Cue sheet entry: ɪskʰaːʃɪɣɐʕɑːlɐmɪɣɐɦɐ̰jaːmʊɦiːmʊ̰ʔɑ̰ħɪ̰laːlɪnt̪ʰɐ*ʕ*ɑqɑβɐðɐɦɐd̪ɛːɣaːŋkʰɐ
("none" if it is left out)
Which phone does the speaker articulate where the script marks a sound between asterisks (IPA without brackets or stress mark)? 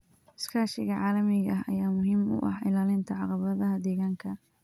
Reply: ʕ